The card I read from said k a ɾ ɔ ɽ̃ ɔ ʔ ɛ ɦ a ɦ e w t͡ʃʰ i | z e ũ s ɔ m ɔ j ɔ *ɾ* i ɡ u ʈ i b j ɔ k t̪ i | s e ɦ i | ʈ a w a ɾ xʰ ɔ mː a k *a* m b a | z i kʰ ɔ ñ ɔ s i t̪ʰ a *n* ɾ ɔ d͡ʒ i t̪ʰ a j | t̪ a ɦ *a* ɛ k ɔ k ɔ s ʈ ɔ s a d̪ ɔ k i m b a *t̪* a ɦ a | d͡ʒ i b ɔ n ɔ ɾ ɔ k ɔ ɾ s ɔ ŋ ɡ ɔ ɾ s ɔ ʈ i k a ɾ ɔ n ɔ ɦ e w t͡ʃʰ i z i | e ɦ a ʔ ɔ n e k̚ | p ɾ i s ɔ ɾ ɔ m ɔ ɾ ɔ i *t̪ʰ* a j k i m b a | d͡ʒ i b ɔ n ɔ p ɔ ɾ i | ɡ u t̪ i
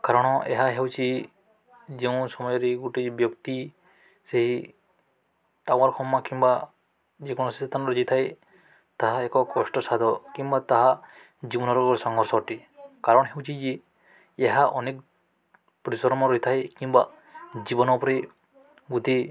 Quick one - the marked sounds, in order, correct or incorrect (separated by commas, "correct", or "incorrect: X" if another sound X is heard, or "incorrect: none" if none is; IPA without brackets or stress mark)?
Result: correct, incorrect: i, correct, correct, correct, correct